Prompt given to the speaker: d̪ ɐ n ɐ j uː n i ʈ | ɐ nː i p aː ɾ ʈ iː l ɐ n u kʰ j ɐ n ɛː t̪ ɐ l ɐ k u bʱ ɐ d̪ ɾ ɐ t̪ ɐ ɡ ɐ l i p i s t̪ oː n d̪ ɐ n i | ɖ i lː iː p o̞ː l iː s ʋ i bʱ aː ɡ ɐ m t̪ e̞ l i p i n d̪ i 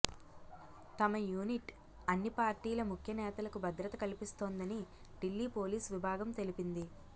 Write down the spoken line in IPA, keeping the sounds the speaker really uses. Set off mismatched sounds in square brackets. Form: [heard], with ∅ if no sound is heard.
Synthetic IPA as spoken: [t̪] ɐ [m] ɐ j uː n i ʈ | ɐ nː i p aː ɾ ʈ iː l ɐ [m] u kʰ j ɐ n ɛː t̪ ɐ l ɐ k u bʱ ɐ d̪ ɾ ɐ t̪ ɐ [k] ɐ l i p i s t̪ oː n d̪ ɐ n i | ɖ i lː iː p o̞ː l iː s ʋ i bʱ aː ɡ ɐ m t̪ e̞ l i p i n d̪ i